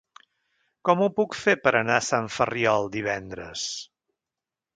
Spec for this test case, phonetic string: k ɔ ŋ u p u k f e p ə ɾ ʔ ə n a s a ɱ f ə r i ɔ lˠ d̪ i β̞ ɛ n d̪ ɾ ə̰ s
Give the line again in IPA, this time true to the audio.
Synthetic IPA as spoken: k ɔ m u p u k f e p ə ɾ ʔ ə n a s a ɱ f ə r i ɔ lˠ d̪ i β̞ ɛ n d̪ ɾ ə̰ s